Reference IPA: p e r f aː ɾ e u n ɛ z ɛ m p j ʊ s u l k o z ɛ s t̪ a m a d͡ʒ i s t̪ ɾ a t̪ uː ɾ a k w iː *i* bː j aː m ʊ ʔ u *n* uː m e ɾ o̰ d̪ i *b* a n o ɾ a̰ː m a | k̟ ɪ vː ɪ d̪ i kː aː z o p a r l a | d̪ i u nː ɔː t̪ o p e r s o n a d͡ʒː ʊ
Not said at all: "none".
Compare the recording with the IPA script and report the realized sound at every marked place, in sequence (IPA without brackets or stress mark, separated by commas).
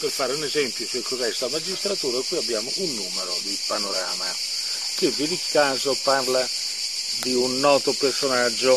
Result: a, nː, p